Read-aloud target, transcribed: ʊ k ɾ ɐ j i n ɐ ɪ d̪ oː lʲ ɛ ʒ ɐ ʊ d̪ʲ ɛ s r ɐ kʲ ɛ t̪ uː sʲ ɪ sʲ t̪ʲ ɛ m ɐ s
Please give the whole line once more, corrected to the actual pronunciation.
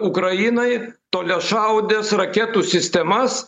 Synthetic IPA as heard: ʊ k ɾ ɐ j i n ɐ ɪ t̪ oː lʲ ɛ ʃ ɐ ʊ d̪ʲ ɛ s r ɐ kʲ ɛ t̪ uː sʲ ɪ sʲ t̪ʲ ɛ m ɐ s